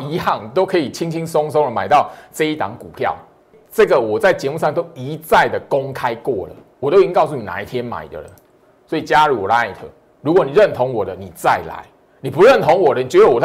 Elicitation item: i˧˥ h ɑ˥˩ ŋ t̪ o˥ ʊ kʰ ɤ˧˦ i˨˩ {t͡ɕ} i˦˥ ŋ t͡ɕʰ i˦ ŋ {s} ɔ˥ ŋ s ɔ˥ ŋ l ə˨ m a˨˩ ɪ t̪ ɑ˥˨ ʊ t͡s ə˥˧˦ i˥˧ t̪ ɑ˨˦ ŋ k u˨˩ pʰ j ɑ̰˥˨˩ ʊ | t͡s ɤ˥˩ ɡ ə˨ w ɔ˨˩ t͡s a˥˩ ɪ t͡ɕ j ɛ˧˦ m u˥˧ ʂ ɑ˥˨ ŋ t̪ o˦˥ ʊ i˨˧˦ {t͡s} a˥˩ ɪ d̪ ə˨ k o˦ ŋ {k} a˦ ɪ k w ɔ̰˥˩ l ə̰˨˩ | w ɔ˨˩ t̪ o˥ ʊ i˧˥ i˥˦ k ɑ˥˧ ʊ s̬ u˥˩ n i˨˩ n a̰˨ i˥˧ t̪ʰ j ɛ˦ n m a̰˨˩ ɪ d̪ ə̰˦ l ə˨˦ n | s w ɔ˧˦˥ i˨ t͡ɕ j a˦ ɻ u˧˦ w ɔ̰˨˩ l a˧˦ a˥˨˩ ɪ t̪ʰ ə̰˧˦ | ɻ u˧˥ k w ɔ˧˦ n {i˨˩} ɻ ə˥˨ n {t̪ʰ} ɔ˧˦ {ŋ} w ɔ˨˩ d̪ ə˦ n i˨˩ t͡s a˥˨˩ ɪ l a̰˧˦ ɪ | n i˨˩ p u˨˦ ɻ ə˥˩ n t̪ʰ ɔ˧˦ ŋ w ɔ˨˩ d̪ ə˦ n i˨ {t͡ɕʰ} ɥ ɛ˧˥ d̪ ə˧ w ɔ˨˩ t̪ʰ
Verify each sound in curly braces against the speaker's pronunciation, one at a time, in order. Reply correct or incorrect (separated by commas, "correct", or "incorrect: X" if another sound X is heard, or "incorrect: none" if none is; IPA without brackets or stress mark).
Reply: incorrect: t͡ɕʰ, correct, correct, incorrect: kʰ, correct, correct, correct, incorrect: t͡ɕ